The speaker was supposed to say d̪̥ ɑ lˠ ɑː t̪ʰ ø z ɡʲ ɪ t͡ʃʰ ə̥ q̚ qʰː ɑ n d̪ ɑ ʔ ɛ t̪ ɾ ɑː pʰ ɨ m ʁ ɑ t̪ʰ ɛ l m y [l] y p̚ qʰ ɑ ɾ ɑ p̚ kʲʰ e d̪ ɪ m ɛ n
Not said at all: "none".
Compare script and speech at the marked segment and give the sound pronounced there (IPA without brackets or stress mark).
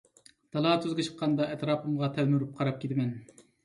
ɾ